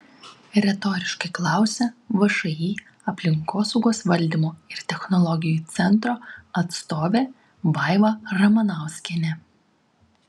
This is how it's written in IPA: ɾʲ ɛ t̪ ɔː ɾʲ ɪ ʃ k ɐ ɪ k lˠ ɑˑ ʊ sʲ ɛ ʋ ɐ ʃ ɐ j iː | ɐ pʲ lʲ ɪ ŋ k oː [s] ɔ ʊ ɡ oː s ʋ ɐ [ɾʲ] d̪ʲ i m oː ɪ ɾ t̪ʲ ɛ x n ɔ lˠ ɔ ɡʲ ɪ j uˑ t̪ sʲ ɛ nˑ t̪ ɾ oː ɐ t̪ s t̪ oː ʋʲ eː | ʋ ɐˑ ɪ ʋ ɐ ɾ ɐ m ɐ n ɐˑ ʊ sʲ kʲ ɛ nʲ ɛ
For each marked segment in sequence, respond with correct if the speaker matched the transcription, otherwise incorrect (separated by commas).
correct, incorrect